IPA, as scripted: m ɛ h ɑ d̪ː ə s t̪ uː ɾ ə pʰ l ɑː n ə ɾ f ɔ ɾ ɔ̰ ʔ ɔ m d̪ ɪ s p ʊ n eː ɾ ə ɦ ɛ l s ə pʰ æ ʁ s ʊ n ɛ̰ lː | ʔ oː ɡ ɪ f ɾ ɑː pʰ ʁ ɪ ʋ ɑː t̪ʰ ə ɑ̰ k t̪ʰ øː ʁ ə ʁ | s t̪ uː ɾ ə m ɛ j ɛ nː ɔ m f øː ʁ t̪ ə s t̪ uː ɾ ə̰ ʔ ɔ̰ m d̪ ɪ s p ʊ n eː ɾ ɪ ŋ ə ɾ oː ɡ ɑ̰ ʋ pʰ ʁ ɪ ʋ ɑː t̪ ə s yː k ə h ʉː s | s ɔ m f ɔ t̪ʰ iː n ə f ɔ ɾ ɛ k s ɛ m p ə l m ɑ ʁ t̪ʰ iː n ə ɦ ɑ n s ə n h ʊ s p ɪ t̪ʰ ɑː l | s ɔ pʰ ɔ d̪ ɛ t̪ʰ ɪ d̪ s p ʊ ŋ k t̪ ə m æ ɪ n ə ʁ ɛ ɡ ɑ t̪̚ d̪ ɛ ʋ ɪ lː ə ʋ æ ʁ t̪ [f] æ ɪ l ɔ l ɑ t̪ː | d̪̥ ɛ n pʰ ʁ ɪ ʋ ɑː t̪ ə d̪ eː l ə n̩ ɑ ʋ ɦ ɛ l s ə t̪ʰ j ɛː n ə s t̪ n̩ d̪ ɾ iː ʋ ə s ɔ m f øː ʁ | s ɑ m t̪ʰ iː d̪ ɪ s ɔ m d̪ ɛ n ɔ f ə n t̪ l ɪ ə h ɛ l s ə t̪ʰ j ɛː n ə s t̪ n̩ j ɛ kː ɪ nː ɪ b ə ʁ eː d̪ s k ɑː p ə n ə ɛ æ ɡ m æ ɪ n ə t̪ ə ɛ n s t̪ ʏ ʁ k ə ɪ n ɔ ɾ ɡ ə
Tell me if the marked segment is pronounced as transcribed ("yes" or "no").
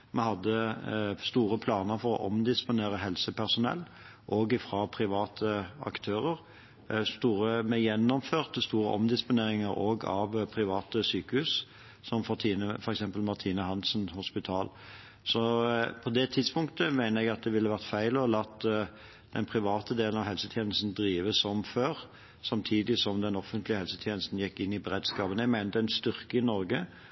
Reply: yes